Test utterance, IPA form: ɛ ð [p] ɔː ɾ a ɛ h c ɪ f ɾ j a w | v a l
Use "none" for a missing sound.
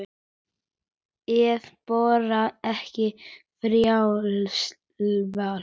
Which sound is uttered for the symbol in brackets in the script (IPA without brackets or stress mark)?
p